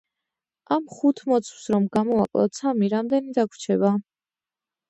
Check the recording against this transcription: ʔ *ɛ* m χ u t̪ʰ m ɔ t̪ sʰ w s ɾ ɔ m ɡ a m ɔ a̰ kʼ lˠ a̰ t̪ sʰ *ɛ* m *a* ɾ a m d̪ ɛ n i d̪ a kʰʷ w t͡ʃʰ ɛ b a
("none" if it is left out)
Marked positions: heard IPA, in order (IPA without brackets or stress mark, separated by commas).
a, a, i